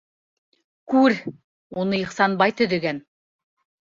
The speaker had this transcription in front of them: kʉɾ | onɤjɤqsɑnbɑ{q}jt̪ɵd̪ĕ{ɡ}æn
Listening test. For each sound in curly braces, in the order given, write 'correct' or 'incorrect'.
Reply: incorrect, correct

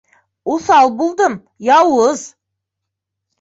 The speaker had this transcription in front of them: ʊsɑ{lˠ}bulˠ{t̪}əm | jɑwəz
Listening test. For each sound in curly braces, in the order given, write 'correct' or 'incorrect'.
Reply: correct, incorrect

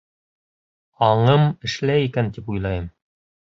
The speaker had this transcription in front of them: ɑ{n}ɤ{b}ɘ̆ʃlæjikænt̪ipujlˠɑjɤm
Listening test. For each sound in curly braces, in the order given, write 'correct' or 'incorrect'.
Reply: incorrect, incorrect

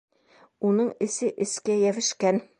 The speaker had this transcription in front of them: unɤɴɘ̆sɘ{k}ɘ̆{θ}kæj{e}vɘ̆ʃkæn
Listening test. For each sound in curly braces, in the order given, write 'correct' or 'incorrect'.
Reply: incorrect, incorrect, incorrect

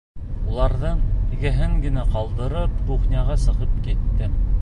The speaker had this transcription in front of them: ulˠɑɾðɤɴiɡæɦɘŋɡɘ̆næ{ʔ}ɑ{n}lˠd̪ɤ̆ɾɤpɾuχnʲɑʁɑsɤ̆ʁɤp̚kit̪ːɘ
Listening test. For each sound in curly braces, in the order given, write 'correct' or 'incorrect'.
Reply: incorrect, incorrect

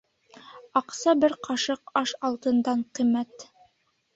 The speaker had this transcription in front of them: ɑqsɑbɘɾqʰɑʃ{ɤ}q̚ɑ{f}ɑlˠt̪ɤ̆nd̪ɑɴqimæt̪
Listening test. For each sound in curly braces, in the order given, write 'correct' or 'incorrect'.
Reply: correct, incorrect

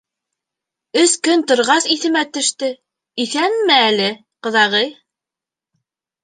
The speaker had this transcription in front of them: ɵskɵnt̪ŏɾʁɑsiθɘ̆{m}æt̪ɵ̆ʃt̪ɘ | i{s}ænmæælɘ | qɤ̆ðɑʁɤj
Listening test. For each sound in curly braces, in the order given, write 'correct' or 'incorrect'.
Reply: correct, incorrect

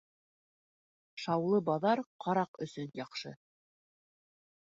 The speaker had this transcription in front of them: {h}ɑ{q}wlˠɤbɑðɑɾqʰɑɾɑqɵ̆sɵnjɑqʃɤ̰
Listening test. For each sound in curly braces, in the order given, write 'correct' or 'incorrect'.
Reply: incorrect, incorrect

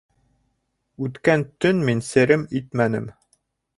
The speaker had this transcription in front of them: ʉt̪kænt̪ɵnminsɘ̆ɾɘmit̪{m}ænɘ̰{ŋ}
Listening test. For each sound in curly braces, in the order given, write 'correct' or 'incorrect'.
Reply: correct, incorrect

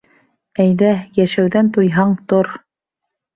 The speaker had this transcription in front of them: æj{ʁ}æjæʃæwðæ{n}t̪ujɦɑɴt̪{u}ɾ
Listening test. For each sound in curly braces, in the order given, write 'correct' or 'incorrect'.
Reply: incorrect, correct, incorrect

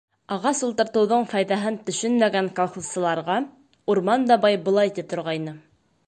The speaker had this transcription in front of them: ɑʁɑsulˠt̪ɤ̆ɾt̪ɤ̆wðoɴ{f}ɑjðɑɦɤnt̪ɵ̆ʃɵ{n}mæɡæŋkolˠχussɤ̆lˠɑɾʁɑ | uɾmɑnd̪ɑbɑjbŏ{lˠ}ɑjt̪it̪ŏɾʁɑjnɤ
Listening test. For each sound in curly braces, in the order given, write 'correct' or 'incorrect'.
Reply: correct, correct, correct

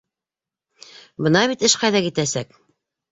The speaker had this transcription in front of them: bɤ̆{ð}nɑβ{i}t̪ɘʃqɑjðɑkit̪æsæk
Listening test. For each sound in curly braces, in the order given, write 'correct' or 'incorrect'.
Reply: incorrect, correct

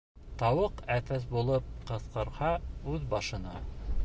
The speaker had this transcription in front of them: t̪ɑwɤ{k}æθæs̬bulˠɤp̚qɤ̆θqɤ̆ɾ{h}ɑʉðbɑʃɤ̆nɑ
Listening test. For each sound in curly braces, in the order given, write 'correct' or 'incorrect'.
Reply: incorrect, correct

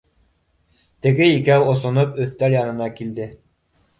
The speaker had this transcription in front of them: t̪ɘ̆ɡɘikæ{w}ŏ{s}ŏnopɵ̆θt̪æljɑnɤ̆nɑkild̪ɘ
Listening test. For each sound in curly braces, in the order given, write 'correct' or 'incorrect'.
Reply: correct, correct

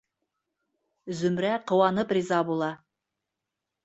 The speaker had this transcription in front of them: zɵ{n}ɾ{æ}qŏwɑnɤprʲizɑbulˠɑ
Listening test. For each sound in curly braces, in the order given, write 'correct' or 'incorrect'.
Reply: incorrect, correct

